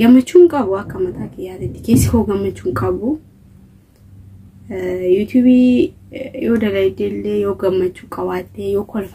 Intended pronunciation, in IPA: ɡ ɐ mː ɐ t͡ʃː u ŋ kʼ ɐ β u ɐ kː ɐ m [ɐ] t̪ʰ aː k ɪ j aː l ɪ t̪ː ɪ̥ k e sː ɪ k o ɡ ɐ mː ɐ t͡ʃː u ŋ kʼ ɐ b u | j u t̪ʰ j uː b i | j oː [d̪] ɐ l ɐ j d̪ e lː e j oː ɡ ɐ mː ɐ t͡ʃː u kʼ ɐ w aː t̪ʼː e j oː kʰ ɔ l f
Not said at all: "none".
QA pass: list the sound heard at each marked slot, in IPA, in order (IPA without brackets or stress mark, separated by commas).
ɐ, d̪